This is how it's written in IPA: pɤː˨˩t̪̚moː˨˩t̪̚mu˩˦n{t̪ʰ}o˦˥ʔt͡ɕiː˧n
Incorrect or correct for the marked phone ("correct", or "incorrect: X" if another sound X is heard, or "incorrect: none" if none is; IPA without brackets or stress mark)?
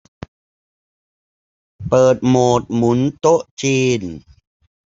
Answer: incorrect: t̪